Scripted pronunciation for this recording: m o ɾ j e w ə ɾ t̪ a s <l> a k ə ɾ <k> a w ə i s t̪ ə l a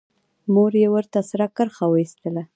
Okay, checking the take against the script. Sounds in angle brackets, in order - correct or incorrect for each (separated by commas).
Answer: incorrect, incorrect